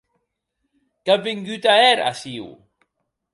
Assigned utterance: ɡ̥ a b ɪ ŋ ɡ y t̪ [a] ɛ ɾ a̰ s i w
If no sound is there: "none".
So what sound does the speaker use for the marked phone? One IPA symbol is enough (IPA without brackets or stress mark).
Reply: a